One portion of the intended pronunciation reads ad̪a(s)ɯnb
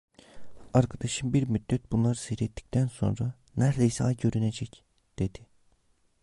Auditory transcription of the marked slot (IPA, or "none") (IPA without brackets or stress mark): ʃ